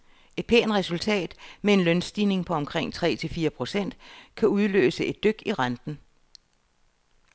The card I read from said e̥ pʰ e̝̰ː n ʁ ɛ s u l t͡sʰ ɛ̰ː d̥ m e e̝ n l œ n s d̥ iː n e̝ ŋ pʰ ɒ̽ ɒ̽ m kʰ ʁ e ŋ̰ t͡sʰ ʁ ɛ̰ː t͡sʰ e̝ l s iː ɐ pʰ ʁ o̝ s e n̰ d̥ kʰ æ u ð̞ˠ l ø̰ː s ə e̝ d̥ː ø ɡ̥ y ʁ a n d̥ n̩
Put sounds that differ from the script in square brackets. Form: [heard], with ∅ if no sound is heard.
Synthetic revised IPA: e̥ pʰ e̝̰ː n ʁ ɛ s u l t͡sʰ ɛ̰ː d̥ m e e̝ n l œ n s d̥ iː n e̝ ŋ pʰ ɒ̽ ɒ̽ m kʰ ʁ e ŋ̰ t͡sʰ ʁ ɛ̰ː t͡sʰ e̝ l [f] iː ɐ pʰ ʁ o̝ s e n̰ d̥ kʰ æ u ð̞ˠ l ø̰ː s ə e̝ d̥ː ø ɡ̥ [i] ʁ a n d̥ n̩

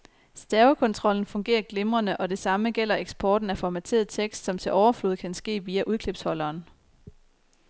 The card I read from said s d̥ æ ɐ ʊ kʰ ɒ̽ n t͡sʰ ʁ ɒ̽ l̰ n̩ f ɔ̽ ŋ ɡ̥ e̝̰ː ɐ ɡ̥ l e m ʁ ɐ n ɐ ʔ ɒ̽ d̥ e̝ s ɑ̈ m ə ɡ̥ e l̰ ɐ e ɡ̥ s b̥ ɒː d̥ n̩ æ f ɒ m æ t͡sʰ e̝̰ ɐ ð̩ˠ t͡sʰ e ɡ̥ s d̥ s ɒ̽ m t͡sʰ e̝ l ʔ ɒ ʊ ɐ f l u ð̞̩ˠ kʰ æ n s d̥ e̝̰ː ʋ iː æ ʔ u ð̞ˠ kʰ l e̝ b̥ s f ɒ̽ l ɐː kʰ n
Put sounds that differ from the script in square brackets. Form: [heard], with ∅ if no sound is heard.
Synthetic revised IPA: s d̥ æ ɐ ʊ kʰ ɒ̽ n t͡sʰ ʁ ɒ̽ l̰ n̩ f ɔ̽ ŋ ɡ̥ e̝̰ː ɐ ɡ̥ l e m ʁ ɐ n [ə] ʔ ɒ̽ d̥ e̝ s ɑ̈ m ə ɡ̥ e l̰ ɐ e ɡ̥ s b̥ ɒː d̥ n̩ æ f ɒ m æ t͡sʰ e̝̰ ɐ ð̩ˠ t͡sʰ e ɡ̥ s d̥ s ɒ̽ m t͡sʰ e̝ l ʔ ɒ ʊ ɐ f l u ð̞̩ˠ kʰ æ n s [ɡ̥] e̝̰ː ʋ iː æ ʔ u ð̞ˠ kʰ l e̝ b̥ s [h] ɒ̽ l ɐː [∅] n

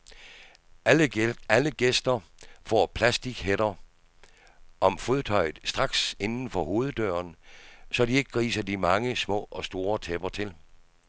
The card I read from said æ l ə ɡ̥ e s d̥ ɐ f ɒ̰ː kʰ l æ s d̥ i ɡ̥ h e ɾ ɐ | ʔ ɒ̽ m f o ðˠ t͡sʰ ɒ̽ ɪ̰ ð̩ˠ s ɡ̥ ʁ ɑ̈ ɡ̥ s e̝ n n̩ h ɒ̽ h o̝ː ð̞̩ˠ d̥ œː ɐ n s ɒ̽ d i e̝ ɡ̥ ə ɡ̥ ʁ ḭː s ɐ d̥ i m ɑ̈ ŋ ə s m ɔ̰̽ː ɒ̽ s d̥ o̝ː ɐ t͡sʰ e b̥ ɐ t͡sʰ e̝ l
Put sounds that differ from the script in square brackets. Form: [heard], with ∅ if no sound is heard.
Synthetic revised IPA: æ l ə ɡ̥ e s d̥ ɐ f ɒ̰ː [pʰ] l æ s d̥ i ɡ̥ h e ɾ ɐ | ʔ ɒ̽ m f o ðˠ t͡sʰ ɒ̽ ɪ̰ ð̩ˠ s [d̥] ʁ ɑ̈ ɡ̥ s e̝ n n̩ [f] ɒ̽ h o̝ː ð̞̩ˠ d̥ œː ɐ n s ɒ̽ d i e̝ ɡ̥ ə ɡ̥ ʁ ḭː s ɐ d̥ i m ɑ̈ ŋ ə s m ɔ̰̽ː ɒ̽ s d̥ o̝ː ɐ t͡sʰ e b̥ ɐ t͡sʰ e̝ l

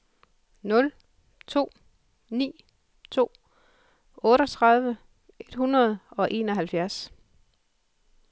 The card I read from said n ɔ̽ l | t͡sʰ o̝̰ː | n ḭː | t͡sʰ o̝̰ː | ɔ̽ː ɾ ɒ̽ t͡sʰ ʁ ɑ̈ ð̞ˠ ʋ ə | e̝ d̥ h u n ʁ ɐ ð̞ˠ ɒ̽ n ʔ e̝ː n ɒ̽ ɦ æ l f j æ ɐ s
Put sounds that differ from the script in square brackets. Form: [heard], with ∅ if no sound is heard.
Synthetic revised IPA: n ɔ̽ l | t͡sʰ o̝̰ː | n ḭː | t͡sʰ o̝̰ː | ɔ̽ː ɾ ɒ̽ t͡sʰ ʁ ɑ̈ ð̞ˠ ʋ ə | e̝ d̥ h u n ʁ ɐ ð̞ˠ ɒ̽ [∅] ʔ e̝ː n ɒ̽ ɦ æ l f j æ ɐ s

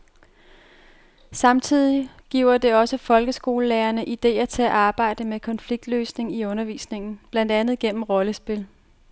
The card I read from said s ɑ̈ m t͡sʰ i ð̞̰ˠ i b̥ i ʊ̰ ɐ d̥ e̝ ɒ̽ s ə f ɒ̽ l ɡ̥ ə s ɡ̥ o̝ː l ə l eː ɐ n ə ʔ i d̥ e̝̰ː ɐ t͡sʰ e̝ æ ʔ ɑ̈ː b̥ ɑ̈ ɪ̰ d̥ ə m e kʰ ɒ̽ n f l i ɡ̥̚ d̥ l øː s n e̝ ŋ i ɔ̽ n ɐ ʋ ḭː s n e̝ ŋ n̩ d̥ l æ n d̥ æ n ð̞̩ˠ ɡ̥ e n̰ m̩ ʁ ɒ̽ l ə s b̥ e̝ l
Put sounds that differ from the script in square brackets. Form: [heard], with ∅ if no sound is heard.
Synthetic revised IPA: s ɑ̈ m t͡sʰ i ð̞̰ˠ i [ɡ̥] i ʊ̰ ɐ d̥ e̝ ɒ̽ s ə f ɒ̽ l ɡ̥ ə s ɡ̥ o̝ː l ə l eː ɐ n ə ʔ i d̥ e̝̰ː ɐ t͡sʰ e̝ æ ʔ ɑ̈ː b̥ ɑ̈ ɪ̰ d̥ ə m e kʰ ɒ̽ n f l i ɡ̥̚ d̥ l øː s n e̝ ŋ i ɔ̽ n ɐ ʋ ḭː s n e̝ ŋ n̩ [b̥] l æ n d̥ æ n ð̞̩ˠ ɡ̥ e n̰ m̩ ʁ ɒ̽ l ə s b̥ e̝ l

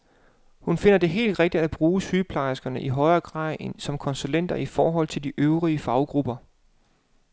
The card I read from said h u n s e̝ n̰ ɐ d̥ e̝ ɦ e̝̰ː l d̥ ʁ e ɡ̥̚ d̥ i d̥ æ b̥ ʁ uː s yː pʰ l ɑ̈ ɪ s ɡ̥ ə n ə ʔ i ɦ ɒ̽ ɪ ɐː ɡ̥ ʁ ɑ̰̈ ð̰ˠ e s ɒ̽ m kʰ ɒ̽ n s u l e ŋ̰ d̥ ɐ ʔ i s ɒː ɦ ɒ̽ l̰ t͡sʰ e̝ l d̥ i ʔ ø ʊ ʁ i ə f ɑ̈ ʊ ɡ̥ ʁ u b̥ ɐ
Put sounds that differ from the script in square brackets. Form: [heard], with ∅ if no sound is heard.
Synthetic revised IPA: h u n [f] e̝ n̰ ɐ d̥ e̝ ɦ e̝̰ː l d̥ ʁ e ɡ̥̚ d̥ i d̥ æ b̥ ʁ uː s yː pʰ l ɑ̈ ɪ s ɡ̥ [ɐ] n ə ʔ i ɦ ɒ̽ ɪ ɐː ɡ̥ ʁ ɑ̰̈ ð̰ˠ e s ɒ̽ m kʰ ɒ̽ n s u l e [n̰] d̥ ɐ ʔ i [f] ɒː ɦ ɒ̽ l̰ t͡sʰ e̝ l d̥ i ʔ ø ʊ ʁ i ə f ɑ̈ ʊ ɡ̥ ʁ u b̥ ɐ

